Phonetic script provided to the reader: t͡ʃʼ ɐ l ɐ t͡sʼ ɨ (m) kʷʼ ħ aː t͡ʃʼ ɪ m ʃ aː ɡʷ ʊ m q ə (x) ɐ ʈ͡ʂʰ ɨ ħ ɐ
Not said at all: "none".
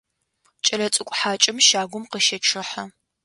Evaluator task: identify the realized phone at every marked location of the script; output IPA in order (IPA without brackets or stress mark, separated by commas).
none, ʃ